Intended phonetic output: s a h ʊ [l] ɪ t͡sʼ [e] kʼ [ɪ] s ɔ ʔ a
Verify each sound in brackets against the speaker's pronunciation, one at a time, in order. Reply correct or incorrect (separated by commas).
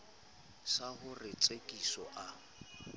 incorrect, correct, incorrect